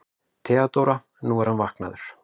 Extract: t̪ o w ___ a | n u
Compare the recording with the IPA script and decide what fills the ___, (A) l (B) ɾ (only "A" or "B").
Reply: B